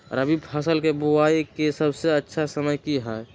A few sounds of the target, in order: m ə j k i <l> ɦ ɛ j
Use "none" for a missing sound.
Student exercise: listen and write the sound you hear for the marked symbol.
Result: none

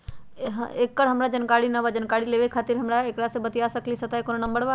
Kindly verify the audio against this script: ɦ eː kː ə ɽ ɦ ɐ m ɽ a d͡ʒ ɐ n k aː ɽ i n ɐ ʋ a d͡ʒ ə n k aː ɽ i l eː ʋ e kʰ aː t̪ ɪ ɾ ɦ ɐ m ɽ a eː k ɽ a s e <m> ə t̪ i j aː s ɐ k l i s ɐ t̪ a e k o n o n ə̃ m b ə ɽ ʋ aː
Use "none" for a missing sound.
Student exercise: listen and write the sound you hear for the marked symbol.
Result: b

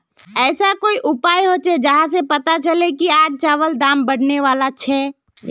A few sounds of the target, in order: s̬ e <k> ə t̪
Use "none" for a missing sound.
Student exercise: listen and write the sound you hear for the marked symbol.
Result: p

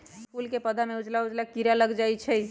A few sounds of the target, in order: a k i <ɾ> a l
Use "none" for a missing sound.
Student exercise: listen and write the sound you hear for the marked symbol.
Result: ɾ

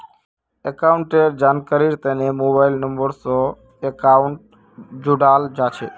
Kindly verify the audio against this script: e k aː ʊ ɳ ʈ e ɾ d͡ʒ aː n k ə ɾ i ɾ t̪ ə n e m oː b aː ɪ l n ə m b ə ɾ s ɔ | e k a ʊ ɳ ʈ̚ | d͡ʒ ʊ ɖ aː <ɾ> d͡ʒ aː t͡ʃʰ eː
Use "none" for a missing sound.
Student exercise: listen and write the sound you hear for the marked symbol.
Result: l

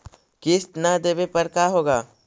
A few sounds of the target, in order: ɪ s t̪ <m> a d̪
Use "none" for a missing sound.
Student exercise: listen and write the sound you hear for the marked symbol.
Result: n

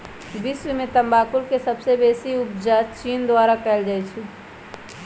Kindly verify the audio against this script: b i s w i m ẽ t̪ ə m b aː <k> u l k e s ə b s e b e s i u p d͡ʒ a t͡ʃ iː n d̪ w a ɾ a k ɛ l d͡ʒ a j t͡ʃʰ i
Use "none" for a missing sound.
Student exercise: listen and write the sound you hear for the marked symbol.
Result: k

